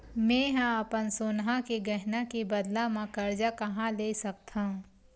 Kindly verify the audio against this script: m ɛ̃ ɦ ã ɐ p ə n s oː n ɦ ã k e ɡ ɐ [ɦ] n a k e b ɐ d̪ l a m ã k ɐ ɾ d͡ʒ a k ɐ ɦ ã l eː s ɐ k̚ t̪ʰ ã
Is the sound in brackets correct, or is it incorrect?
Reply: correct